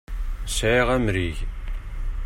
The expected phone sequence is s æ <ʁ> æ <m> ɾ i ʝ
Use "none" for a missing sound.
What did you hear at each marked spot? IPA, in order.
ʁ, m

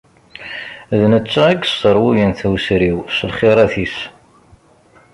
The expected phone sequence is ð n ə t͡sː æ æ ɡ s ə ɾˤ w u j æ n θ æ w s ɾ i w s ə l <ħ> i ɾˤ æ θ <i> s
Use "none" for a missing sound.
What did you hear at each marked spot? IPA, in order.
χ, i

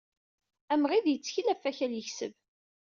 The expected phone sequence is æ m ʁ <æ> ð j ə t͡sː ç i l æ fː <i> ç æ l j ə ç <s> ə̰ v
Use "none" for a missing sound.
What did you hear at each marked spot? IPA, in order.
i, æ, s

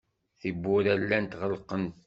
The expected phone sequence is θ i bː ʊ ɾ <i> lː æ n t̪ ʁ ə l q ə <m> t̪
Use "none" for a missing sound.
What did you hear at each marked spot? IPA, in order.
æ, n

